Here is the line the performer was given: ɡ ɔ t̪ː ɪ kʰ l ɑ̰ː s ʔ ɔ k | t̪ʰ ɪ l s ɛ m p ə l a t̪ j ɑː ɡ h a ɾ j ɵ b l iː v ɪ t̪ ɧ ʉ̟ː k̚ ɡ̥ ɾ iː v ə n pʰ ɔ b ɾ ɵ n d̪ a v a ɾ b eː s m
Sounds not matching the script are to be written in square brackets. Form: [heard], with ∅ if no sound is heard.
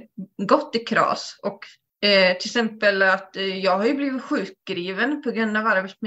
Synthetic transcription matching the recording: ɡ ɔ t̪ː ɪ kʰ [ɾ] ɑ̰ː s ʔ ɔ k | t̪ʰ ɪ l s ɛ m p ə l a t̪ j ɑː ɡ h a ɾ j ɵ b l iː v ɪ t̪ ɧ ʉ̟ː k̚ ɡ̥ ɾ iː v ə n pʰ ɔ [ɡ] ɾ ɵ n d̪ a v a ɾ b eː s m